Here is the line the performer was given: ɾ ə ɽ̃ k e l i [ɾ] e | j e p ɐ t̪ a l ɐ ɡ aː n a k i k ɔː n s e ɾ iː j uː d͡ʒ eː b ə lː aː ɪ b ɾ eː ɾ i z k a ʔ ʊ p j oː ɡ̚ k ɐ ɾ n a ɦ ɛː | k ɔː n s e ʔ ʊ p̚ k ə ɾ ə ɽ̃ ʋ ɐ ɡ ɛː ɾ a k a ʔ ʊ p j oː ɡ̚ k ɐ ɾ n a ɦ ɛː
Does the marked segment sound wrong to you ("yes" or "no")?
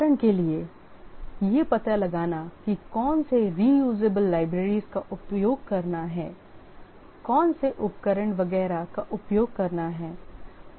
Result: yes